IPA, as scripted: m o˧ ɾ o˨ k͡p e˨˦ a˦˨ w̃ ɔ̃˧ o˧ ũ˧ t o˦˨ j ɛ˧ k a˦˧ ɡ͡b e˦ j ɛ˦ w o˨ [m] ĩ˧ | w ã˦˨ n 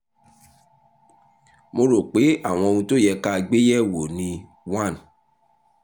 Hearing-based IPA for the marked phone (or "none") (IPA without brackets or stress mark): n